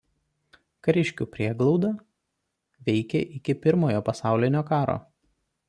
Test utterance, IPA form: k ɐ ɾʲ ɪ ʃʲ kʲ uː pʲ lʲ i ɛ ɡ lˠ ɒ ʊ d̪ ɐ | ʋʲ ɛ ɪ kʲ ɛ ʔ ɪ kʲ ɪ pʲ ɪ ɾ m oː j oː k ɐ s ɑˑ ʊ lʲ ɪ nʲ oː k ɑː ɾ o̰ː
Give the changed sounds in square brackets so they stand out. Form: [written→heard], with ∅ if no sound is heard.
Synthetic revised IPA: k ɐ ɾʲ ɪ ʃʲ kʲ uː pʲ [lʲ→ɾʲ] i ɛ ɡ lˠ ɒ ʊ d̪ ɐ | ʋʲ ɛ ɪ kʲ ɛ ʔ ɪ kʲ ɪ pʲ ɪ ɾ m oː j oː [k→p] ɐ s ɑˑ ʊ lʲ ɪ nʲ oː k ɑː ɾ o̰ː